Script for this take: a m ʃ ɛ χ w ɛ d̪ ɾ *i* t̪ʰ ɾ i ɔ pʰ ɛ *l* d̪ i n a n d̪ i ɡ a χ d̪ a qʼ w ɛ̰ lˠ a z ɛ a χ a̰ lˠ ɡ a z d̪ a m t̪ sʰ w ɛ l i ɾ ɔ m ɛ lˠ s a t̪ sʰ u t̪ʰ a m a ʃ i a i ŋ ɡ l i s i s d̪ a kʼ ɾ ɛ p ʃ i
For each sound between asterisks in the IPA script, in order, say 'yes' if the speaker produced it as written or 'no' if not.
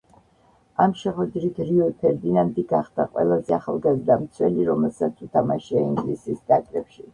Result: yes, no

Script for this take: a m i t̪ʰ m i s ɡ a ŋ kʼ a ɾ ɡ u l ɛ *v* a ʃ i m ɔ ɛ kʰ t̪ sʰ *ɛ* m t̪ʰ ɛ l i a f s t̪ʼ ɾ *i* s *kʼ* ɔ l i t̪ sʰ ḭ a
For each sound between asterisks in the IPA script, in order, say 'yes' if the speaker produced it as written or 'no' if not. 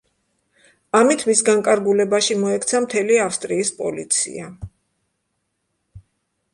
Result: no, no, no, no

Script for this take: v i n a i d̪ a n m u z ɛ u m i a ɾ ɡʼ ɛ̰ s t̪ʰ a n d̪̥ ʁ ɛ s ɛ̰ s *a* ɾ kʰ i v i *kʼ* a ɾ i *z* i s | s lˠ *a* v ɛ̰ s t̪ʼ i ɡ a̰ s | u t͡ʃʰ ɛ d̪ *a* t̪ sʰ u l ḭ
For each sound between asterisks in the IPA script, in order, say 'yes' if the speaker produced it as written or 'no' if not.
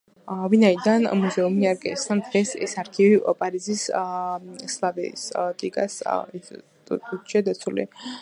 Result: yes, no, yes, yes, yes

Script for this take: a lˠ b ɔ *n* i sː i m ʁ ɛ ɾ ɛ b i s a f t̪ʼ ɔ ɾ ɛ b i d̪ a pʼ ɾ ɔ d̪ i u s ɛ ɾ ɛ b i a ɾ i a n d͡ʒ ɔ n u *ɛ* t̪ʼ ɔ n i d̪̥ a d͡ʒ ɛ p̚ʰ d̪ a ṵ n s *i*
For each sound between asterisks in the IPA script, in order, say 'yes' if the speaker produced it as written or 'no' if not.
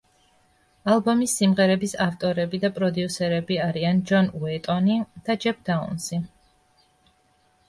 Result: no, yes, yes

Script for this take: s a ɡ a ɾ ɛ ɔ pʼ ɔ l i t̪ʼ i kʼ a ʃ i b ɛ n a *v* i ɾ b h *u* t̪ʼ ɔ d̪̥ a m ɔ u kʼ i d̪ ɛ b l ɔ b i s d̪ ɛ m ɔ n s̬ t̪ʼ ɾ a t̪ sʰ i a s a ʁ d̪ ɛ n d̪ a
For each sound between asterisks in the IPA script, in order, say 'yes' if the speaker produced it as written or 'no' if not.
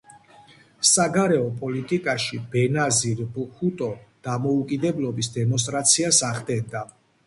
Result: no, yes

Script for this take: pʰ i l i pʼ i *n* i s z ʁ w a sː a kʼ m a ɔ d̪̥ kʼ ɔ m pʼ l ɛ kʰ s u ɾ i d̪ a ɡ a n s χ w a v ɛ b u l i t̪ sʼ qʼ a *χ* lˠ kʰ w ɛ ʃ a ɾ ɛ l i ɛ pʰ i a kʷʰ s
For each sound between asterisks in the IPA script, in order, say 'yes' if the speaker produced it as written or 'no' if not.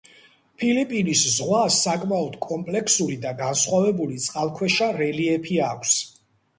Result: yes, no

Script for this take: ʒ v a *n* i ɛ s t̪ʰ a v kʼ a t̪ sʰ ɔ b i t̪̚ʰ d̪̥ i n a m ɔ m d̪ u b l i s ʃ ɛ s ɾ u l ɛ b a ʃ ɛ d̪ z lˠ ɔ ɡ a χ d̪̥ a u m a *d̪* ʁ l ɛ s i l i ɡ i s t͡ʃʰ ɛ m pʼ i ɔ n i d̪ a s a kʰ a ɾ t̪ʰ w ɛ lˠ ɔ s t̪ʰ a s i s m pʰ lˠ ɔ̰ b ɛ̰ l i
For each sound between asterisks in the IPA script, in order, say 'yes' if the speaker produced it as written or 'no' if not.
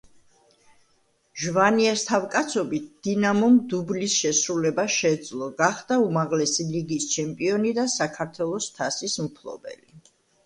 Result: yes, no

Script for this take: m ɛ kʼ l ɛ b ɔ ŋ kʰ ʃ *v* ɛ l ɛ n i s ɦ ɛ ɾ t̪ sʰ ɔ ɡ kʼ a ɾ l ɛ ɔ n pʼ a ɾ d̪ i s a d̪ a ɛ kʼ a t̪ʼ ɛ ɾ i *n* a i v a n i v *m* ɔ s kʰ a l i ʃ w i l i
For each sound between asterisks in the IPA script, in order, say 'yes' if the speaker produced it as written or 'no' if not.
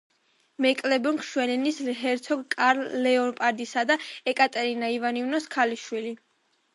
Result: no, yes, no

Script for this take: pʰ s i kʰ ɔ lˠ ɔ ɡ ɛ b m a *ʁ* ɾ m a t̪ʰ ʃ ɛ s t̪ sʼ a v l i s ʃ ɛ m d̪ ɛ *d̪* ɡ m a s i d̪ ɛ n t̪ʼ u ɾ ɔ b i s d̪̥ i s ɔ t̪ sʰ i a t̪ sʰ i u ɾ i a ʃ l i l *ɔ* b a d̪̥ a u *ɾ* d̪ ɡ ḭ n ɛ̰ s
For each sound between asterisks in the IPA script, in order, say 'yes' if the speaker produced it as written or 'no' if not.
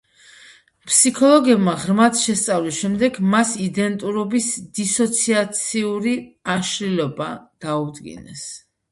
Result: yes, no, yes, no

